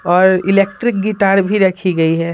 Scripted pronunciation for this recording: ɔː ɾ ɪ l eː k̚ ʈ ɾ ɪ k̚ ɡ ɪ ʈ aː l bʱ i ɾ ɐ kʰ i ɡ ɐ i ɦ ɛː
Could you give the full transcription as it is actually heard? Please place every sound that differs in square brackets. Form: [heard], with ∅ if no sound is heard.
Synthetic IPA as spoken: ɔː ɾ ɪ l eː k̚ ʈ ɾ ɪ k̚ ɡ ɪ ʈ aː [ɾ] bʱ i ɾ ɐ kʰ i ɡ ɐ i ɦ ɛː